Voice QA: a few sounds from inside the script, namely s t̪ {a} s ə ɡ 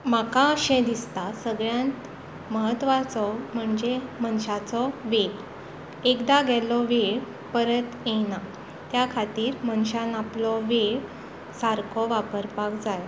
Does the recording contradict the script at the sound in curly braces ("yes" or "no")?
no